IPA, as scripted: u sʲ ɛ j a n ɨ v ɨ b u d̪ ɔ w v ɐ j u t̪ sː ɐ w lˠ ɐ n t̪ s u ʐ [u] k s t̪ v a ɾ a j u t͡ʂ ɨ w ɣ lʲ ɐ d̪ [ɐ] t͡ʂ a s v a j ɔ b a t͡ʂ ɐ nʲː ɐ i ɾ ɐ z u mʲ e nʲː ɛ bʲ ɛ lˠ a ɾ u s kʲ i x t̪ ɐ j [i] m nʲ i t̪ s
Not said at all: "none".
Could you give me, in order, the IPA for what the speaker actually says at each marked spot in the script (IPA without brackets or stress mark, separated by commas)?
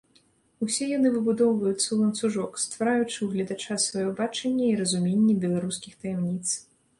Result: ɔ, a, ɛ